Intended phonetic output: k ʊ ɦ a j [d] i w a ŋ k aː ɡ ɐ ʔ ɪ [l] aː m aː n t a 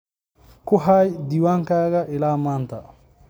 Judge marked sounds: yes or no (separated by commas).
yes, yes